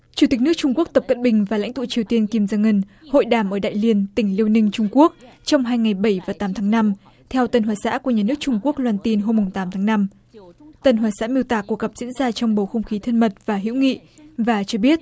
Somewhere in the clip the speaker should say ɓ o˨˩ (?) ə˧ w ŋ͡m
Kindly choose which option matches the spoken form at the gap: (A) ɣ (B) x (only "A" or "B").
B